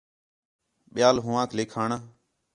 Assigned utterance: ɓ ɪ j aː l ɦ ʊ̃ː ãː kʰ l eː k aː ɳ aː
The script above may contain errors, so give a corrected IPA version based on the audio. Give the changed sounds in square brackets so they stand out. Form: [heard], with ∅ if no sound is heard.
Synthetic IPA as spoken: ɓ ɪ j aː l ɦ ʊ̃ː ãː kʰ l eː [kʰ] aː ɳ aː